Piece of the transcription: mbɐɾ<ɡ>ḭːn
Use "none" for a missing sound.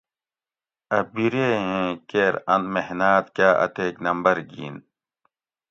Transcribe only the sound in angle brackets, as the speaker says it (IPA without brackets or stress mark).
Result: ɡ